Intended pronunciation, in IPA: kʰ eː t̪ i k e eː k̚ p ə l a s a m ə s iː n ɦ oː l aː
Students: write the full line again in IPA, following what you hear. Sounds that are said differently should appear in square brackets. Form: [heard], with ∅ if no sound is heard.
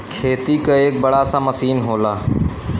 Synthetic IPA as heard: kʰ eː t̪ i k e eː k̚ [b] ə [ɽ] a s a m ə s iː n ɦ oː l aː